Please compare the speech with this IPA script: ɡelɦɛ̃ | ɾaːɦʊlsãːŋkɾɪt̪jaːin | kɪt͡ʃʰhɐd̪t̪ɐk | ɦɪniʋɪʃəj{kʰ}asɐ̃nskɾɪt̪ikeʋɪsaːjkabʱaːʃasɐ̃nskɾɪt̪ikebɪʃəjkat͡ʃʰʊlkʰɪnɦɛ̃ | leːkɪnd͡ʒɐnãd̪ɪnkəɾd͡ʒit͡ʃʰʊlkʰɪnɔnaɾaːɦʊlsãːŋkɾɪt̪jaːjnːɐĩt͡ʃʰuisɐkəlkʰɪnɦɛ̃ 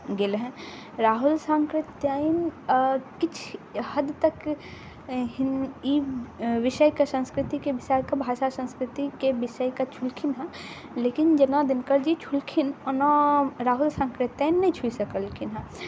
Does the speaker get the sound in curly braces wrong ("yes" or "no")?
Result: yes